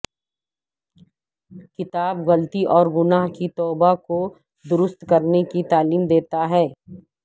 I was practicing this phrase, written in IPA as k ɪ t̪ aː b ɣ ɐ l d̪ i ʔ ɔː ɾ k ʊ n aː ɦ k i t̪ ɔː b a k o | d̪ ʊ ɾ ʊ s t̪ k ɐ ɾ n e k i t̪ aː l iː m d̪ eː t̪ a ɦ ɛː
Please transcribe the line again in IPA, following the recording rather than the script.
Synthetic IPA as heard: k ɪ t̪ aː b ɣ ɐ l t̪ i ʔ ɔː ɾ ɡ ʊ n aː ɦ k i t̪ ɔː b a k o | d̪ ʊ ɾ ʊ s t̪ k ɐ ɾ n e k i t̪ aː l iː m d̪ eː t̪ a ɦ ɛː